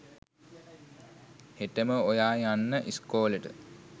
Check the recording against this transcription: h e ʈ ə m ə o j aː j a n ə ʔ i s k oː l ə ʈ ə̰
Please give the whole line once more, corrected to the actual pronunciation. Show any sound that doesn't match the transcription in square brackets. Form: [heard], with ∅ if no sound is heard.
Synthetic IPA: h e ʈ ə m ə o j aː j a [nː] ə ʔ i s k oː l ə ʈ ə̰